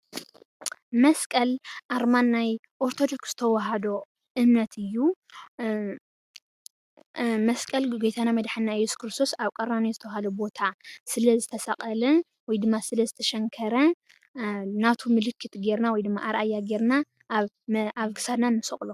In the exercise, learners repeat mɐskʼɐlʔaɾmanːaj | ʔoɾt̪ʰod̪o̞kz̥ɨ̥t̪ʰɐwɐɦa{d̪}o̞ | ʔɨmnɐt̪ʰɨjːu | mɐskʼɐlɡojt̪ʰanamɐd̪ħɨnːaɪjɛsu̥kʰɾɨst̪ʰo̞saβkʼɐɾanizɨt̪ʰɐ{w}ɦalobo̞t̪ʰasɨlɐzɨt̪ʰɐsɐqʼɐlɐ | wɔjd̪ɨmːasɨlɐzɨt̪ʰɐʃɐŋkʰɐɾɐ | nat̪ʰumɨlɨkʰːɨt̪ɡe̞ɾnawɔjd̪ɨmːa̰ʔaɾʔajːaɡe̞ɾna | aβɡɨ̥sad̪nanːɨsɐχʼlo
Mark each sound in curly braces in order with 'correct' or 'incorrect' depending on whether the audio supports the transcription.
correct, correct

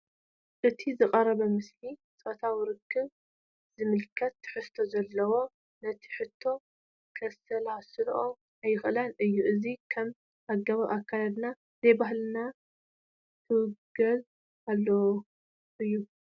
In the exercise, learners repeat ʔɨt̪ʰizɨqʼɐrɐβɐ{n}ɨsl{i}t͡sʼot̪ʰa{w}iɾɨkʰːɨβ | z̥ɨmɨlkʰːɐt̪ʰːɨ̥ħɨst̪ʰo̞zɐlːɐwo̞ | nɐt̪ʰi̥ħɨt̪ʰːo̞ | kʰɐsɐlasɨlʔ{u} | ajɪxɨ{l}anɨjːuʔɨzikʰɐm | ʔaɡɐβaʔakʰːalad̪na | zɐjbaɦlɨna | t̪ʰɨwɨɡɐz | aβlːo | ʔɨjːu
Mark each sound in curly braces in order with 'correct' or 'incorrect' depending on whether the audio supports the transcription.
incorrect: m, correct, correct, incorrect: o, correct

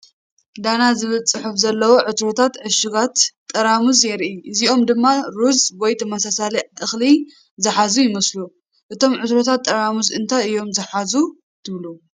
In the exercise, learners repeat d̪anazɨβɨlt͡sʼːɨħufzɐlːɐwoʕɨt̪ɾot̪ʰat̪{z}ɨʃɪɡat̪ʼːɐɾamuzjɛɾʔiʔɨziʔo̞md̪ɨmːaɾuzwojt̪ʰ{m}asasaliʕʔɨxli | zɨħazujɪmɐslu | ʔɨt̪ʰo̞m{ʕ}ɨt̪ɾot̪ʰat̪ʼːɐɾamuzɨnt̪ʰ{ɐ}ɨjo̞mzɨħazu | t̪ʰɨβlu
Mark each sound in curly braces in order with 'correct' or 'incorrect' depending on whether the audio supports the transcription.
incorrect: ʕ, correct, correct, incorrect: a

